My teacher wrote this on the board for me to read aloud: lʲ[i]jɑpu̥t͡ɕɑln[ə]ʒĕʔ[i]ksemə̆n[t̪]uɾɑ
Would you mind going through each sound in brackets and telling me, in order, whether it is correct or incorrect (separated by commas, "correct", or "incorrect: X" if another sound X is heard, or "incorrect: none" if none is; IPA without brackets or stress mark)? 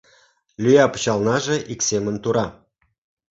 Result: incorrect: y, incorrect: ɑ, correct, correct